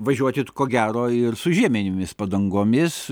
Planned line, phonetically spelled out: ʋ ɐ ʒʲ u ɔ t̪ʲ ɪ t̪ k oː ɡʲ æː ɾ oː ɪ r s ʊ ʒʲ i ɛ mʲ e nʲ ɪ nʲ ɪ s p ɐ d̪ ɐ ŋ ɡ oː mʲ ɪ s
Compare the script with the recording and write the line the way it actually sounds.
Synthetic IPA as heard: ʋ ɐ ʒʲ u ɔ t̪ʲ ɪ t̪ k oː ɡʲ æː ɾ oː ɪ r s ʊ ʒʲ i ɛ mʲ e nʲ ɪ mʲ ɪ s p ɐ d̪ ɐ ŋ ɡ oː mʲ ɪ s